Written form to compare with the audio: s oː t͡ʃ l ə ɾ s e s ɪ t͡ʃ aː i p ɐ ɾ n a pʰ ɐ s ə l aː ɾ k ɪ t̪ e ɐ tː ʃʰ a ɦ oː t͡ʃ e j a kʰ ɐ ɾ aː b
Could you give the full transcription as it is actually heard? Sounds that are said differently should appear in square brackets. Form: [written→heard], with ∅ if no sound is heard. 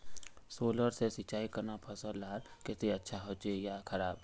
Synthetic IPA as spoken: s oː [t͡ʃ→∅] l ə ɾ s e s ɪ t͡ʃ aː i [p→k] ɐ ɾ n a pʰ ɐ s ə l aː ɾ k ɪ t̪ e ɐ tː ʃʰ a ɦ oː t͡ʃ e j a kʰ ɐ ɾ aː b